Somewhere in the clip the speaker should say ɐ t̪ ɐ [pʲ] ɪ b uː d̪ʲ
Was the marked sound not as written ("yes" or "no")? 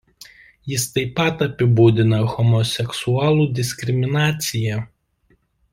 no